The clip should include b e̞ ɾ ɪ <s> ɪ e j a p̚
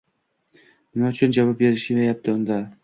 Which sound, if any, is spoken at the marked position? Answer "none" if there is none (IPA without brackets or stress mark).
ʃ